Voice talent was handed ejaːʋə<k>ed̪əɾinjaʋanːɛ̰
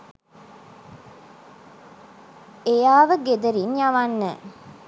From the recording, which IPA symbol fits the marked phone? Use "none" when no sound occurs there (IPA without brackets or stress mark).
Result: ɡ